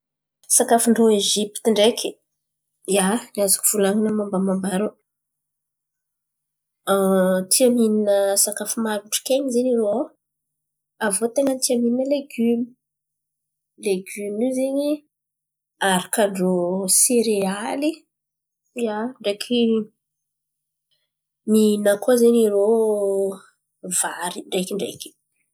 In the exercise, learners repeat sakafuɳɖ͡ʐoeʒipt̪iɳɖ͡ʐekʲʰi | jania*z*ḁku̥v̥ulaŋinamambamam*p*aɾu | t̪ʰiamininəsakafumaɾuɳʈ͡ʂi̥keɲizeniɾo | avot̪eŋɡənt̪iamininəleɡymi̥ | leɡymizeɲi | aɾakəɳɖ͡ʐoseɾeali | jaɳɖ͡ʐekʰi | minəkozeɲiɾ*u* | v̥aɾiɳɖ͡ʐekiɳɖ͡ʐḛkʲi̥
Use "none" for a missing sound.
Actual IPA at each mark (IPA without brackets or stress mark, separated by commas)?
z, b, o